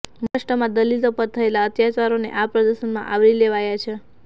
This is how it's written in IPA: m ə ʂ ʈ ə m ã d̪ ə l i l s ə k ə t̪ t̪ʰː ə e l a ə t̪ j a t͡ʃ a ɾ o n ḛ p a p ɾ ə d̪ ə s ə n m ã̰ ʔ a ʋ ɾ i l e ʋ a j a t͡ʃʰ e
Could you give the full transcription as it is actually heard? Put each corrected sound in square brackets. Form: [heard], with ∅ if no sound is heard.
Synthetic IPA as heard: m ə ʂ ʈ ə m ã d̪ ə l i l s ə [p] ə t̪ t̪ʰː ə e l a ə t̪ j a t͡ʃ a ɾ o n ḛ [ʔ] a p ɾ ə d̪ ə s ə n m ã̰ ʔ a ʋ ɾ i l e ʋ a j a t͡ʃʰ e